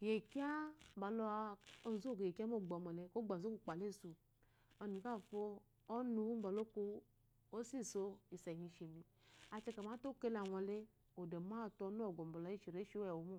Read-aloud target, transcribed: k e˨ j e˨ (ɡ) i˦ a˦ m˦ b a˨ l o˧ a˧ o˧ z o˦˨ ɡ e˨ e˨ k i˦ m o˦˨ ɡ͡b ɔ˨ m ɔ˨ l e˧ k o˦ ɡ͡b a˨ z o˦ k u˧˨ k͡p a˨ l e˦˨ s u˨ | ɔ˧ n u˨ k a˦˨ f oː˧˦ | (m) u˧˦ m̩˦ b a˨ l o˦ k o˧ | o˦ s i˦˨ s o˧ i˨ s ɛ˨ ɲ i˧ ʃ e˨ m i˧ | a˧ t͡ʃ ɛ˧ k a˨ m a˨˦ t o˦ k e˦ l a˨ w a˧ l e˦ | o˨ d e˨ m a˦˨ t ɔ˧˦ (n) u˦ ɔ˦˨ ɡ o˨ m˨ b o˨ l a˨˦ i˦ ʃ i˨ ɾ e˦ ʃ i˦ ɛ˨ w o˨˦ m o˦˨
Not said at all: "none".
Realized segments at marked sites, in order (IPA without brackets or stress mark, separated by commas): k, n, n